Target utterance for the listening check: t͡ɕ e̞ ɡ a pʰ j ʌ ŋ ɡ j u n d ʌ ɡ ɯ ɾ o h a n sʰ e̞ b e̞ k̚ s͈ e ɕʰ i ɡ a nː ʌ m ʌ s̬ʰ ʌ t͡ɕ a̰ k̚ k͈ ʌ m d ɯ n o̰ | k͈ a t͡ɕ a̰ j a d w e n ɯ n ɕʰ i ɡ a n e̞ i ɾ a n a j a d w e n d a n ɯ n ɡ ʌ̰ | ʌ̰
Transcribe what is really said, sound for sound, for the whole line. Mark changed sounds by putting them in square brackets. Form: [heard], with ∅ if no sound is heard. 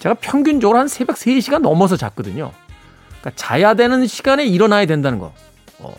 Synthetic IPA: t͡ɕ e̞ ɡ a pʰ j ʌ ŋ ɡ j u n [d͡ʑ] ʌ ɡ ɯ ɾ o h a n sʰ e̞ b e̞ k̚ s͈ e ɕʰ i ɡ a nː ʌ m ʌ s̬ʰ ʌ t͡ɕ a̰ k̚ k͈ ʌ [∅] d ɯ [ɲ] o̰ | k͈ a t͡ɕ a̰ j a d w e n ɯ n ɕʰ i ɡ a n e̞ i ɾ [ʌ] n a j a d w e n d a n ɯ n ɡ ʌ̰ | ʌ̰